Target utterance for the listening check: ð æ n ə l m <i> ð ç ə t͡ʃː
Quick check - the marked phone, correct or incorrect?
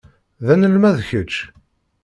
incorrect